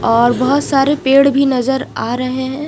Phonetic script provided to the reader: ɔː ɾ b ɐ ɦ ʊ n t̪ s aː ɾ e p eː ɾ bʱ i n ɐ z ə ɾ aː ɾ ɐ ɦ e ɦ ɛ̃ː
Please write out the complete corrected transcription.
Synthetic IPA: ɔː ɾ b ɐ ɦ ʊ t̪ s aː ɾ e p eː ɽ bʱ i n ɐ z ə ɾ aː ɾ ɐ ɦ e ɦ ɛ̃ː